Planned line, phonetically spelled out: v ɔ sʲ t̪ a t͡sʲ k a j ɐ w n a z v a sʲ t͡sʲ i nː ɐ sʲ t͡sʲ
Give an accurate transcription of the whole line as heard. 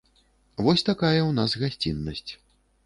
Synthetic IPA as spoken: v ɔ sʲ t̪ a k a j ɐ w n a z ɣ a sʲ t͡sʲ i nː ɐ sʲ t͡sʲ